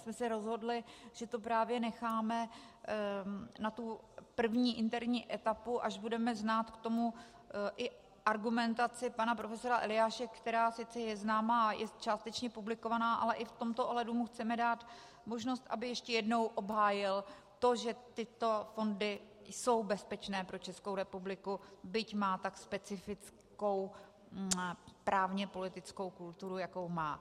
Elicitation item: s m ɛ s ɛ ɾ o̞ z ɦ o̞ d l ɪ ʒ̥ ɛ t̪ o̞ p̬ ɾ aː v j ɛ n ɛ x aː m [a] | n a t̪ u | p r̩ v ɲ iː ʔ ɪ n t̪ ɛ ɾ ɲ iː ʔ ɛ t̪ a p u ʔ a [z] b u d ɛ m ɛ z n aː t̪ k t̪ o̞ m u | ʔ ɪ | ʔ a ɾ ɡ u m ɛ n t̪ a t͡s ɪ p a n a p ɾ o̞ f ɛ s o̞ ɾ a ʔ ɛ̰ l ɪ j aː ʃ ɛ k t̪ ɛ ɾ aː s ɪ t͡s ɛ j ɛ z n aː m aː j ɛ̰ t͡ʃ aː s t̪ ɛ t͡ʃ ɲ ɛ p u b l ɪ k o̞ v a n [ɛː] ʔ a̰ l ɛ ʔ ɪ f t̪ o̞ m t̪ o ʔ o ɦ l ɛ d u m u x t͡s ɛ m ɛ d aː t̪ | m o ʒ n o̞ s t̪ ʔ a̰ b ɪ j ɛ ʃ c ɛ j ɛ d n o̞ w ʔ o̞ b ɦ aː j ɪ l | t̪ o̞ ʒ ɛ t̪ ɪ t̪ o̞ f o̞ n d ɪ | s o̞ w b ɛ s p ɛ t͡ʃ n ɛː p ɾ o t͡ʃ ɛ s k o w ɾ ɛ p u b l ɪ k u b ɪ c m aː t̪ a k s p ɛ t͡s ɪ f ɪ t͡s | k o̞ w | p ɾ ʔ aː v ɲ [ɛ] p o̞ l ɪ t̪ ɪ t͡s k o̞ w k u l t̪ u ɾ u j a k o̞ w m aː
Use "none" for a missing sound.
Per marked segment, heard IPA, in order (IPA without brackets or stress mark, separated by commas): ɛ, ʒ, aː, ɛ